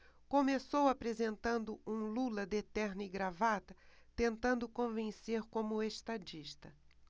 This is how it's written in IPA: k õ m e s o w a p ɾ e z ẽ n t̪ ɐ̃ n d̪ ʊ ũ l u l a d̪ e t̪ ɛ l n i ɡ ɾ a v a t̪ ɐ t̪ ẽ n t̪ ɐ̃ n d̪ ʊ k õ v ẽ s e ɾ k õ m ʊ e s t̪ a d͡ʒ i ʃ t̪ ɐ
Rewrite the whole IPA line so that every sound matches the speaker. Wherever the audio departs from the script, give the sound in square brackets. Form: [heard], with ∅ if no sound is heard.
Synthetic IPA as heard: k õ m e s o w a p ɾ e z ẽ n t̪ ɐ̃ n d̪ ʊ ũ l u l [ɐ] d̪ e t̪ ɛ [ɾ] n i ɡ ɾ a v a t̪ ɐ t̪ ẽ n t̪ ɐ̃ n d̪ ʊ k õ v ẽ s e ɾ k õ m ʊ e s t̪ a d͡ʒ i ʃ t̪ ɐ